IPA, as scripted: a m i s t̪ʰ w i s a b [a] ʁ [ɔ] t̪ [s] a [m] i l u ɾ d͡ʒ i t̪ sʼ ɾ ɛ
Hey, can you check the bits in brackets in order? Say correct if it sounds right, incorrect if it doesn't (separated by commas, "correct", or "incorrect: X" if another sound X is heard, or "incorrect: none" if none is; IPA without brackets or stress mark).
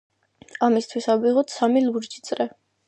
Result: incorrect: i, correct, correct, correct